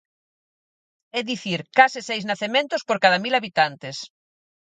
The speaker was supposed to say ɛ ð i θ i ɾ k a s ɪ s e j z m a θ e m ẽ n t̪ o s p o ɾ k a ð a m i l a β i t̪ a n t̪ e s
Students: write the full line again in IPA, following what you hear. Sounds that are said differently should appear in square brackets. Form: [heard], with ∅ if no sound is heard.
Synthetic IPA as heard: ɛ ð i θ i ɾ k a s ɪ s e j z [n] a θ e m ẽ n t̪ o s p o ɾ k a ð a m i l a β i t̪ a n t̪ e s